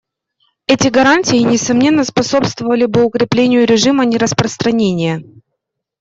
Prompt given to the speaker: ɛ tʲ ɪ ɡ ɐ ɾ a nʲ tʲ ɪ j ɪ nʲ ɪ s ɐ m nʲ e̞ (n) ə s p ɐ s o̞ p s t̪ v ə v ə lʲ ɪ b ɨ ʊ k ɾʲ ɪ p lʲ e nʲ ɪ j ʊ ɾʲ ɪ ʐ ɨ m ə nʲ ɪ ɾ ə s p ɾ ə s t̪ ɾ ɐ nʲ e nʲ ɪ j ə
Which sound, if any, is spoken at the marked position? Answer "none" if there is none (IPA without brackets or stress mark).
nː